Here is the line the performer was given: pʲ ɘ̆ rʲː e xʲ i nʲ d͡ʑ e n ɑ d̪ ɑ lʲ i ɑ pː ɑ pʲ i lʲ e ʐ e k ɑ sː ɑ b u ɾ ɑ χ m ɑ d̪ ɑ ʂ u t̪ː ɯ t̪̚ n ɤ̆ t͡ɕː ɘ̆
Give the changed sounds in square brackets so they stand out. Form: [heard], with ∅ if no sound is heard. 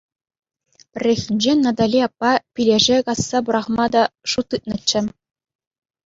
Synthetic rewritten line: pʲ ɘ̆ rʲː e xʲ i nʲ d͡ʑ e n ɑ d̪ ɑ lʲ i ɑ pː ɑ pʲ i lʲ e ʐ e k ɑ sː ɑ b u ɾ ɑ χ m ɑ d̪ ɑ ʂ u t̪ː ɯ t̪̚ n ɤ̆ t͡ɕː ɘ̆